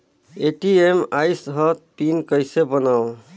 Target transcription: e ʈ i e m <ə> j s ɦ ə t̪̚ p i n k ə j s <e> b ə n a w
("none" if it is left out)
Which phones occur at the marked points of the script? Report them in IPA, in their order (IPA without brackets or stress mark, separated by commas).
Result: a, e